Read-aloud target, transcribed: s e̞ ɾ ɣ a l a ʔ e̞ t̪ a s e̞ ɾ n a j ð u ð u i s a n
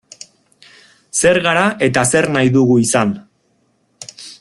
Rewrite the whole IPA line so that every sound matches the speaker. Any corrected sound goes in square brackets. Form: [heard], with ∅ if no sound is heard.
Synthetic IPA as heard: s e̞ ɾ ɣ a [ɾ] a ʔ e̞ t̪ a s e̞ ɾ n a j ð u [ɣ] u i s a n